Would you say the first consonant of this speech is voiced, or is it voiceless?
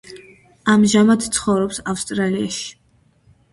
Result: voiced